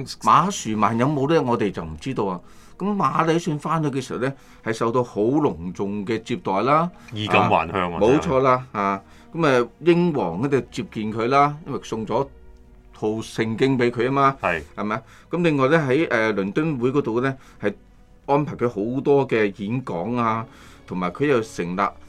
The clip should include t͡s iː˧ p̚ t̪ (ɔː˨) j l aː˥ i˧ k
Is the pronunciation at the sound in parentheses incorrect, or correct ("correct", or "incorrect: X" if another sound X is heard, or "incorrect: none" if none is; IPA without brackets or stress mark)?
correct